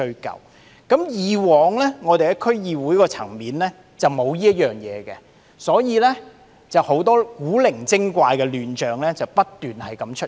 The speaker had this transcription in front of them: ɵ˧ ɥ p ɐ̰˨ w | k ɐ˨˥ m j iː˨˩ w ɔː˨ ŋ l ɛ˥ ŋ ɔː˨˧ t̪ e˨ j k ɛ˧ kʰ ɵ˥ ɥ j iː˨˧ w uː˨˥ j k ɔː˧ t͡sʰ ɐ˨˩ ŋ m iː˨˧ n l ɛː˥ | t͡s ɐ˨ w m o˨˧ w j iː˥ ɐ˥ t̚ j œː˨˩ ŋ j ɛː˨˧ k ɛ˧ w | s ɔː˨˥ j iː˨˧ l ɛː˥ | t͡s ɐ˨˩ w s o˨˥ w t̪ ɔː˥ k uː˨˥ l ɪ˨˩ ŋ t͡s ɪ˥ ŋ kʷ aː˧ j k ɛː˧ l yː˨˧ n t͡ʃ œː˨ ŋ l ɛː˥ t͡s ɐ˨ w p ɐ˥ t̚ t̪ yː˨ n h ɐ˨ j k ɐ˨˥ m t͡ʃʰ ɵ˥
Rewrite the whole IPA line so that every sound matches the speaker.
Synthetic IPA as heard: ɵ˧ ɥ k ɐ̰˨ w | k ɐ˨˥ m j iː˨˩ w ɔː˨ ŋ l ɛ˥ ŋ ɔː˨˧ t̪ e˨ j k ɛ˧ kʰ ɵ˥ ɥ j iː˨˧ w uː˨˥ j k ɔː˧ t͡sʰ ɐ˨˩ ŋ m iː˨˧ n l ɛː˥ | t͡s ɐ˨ w m o˨˧ w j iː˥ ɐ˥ t̚ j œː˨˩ ŋ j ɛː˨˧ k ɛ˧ | s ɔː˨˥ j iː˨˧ l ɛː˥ | t͡s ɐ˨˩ w h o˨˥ w t̪ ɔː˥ k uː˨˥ l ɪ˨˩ ŋ t͡s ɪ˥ ŋ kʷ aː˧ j k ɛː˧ l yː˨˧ n t͡ʃ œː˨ ŋ l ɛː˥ t͡s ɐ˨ w p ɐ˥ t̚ t̪ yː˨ n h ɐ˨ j k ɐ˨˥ m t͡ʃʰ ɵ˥